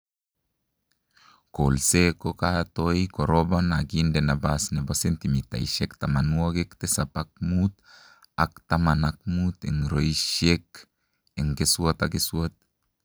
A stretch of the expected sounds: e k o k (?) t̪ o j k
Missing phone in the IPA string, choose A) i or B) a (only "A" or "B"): B